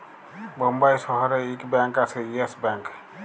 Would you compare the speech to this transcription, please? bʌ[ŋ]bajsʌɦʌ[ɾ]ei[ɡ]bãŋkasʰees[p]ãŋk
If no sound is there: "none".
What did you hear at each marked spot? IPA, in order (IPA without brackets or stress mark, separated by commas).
m, ɾ, k, b